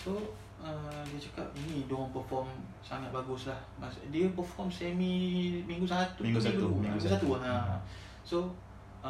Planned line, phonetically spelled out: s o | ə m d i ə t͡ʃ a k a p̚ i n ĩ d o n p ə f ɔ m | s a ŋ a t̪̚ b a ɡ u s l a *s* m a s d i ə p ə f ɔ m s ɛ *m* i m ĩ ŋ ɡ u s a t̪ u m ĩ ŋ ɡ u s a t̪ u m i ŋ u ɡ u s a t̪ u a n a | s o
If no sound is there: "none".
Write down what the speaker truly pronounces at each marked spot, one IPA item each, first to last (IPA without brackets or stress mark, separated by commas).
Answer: h, m